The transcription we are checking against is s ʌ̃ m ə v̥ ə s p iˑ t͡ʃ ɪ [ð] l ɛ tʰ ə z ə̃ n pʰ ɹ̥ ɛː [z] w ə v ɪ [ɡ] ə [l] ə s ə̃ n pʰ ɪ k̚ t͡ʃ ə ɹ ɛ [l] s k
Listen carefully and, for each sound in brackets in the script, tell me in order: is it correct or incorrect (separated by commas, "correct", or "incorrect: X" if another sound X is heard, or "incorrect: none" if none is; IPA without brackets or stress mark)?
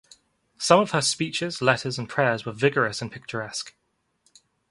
incorrect: z, correct, correct, incorrect: ɹ, incorrect: none